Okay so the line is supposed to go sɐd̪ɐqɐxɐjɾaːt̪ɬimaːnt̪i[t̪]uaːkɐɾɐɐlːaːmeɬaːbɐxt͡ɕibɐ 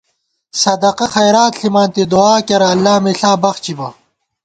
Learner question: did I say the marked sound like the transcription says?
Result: no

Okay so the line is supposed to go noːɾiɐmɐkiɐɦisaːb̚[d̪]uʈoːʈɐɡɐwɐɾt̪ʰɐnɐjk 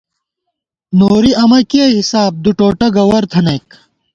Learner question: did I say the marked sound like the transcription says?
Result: yes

